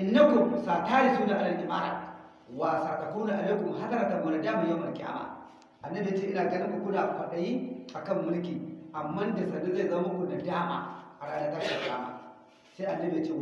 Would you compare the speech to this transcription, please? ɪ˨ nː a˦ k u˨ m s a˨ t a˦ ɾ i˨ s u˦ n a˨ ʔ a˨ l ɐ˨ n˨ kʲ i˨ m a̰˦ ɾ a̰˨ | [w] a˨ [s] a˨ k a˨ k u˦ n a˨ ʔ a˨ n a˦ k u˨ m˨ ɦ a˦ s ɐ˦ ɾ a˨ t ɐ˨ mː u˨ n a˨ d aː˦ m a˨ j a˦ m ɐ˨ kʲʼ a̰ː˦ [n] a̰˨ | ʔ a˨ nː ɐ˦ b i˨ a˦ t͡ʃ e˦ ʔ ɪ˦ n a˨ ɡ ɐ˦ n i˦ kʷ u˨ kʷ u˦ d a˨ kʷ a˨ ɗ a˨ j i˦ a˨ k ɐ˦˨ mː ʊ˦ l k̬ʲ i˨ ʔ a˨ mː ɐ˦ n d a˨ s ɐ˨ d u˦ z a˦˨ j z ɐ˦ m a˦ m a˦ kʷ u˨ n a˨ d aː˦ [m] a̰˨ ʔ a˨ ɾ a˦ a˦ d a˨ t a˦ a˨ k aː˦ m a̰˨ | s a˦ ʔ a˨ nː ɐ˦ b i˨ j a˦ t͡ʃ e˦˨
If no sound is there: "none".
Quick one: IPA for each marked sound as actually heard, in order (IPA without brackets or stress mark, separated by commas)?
w, s, m, m